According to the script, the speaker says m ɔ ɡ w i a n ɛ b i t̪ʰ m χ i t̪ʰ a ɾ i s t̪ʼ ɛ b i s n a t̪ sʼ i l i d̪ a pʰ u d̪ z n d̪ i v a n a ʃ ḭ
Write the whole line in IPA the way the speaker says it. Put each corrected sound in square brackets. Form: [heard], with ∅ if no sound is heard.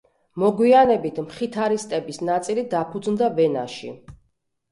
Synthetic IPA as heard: m ɔ ɡ w i a n ɛ b i t̪ʰ m χ i t̪ʰ a ɾ i s t̪ʼ ɛ b i s n a t̪ sʼ i l i d̪ a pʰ u d̪ z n d̪ [a] v [ɛ] n a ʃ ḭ